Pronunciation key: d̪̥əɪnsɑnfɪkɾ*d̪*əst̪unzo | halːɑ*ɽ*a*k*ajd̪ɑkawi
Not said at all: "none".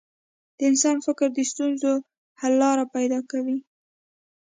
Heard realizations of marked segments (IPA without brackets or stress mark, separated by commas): d̪, ɾ, p